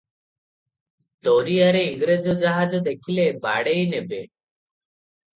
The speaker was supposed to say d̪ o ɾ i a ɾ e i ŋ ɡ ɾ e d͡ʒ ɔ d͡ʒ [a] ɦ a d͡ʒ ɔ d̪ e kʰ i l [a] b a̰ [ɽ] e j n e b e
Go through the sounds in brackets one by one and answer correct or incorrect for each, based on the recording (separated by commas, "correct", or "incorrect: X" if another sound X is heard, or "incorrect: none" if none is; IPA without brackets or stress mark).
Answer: correct, incorrect: e, correct